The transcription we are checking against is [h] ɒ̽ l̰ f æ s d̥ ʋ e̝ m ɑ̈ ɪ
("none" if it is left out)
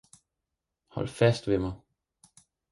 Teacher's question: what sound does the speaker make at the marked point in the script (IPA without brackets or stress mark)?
h